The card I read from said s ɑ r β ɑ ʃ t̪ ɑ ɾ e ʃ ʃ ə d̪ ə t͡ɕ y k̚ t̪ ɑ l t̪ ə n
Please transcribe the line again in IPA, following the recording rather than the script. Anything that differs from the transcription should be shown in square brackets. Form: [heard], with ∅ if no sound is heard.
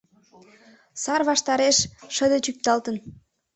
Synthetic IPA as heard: s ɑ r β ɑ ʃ t̪ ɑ ɾ e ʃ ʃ ə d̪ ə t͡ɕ y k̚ t̪ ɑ l t̪ ə n

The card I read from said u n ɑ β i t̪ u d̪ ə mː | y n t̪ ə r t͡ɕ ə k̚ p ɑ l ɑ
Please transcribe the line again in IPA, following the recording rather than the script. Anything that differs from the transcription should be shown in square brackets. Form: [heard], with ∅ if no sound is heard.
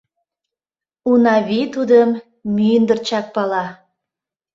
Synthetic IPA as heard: u n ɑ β i t̪ u d̪ ə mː | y n [d̪] ə r t͡ɕ [ɑ] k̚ p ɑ l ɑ

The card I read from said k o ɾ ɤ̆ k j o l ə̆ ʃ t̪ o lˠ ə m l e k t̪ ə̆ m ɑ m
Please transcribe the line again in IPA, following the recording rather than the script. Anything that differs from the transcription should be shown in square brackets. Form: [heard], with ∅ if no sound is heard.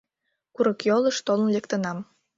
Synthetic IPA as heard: k [u] ɾ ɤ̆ k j o l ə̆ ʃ t̪ o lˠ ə [n] l e k t̪ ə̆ [n] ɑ m

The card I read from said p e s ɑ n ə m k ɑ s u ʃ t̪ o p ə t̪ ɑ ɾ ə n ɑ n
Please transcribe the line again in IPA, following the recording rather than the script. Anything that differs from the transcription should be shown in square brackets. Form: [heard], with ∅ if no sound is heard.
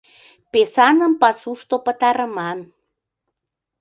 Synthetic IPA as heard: p e s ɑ n ə m [p] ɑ s u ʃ t̪ o p ə t̪ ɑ ɾ ə [m] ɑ n

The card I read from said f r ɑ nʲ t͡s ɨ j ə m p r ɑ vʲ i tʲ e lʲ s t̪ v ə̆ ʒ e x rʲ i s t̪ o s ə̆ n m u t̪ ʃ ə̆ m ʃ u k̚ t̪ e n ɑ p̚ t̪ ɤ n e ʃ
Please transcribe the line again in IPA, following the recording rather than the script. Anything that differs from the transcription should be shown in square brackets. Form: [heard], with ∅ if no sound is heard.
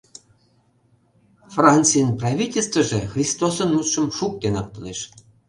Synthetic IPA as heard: f r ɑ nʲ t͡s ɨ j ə [n] p r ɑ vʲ i tʲ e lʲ s t̪ v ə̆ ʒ e x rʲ i s t̪ o s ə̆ n m u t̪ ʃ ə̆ m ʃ u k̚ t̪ e n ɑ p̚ t̪ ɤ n e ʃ

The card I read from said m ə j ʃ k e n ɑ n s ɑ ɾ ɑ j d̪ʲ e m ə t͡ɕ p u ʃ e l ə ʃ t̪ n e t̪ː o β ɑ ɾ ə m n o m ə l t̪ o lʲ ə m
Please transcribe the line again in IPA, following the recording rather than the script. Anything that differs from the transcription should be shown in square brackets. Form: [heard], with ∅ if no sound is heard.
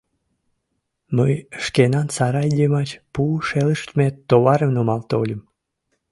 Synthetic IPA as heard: m ə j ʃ k e n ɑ n s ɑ ɾ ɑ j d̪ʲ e m [ɑ] t͡ɕ p u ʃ e l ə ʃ t̪ [m] e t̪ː o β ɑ ɾ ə m n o m [ɑ] l t̪ o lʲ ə m

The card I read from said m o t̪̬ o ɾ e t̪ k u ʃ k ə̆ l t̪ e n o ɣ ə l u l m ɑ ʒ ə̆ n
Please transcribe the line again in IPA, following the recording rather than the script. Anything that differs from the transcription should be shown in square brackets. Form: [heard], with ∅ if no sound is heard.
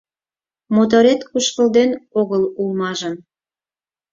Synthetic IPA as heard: m o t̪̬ o ɾ e t̪ k u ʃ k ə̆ l [d̪] e n o ɣ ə l u l m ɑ ʒ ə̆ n

